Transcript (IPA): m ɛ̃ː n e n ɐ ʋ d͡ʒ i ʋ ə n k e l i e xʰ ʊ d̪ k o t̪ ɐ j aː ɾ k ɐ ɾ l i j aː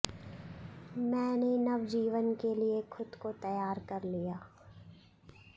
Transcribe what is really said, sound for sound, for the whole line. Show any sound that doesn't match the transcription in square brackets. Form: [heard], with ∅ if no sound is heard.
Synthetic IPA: m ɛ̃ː n e n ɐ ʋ d͡ʒ [iː] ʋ ə n k e l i e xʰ ʊ d̪ k o t̪ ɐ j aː ɾ k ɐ ɾ l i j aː